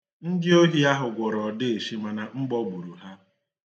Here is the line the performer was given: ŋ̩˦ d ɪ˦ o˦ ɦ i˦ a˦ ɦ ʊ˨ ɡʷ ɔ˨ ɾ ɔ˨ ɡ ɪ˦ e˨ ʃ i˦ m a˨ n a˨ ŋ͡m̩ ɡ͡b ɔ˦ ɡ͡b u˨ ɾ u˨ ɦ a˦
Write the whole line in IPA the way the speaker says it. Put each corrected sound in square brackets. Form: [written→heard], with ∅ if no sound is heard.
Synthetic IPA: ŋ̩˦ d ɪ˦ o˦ ɦ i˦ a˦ ɦ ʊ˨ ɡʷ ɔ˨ ɾ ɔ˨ [ɡ→d] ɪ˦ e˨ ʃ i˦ m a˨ n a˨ ŋ͡m̩ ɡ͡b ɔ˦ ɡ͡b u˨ ɾ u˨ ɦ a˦